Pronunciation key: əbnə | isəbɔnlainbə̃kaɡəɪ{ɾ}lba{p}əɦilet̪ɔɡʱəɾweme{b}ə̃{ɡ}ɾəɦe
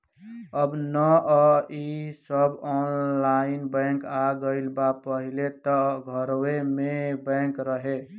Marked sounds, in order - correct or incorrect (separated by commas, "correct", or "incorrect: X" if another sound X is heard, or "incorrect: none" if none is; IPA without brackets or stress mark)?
incorrect: none, correct, correct, incorrect: k